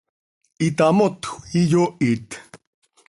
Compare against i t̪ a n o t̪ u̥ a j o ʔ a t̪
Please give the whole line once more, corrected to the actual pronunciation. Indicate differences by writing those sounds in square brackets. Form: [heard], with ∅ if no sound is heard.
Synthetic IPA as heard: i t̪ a [m] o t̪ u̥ [i] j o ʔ [i] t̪